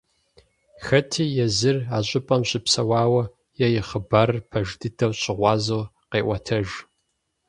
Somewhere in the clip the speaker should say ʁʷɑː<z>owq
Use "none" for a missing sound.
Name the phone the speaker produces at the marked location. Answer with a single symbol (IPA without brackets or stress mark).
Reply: z